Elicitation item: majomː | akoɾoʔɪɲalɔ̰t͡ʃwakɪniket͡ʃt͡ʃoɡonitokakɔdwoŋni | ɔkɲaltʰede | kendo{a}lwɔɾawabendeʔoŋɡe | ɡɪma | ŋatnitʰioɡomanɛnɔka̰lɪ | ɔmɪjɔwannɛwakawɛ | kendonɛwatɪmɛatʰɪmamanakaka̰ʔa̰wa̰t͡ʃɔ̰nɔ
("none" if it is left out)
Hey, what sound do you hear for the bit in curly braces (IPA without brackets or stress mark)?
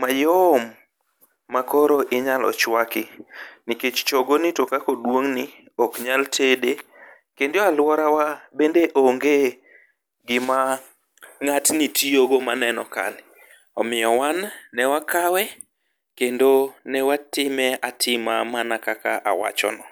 a